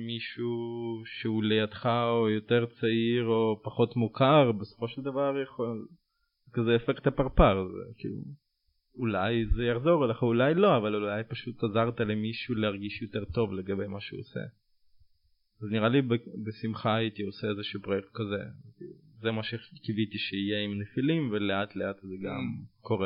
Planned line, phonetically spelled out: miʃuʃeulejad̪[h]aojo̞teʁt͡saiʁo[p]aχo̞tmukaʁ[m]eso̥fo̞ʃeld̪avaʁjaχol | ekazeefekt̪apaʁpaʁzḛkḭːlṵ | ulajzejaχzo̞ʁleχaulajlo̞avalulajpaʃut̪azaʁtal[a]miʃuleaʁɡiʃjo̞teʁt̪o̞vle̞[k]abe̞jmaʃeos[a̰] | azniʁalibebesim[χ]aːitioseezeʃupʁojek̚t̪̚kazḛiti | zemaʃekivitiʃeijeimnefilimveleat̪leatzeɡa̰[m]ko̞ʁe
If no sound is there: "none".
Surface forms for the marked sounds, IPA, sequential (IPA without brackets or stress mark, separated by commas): χ, p, b, e, ɡ, ḛ, χ, m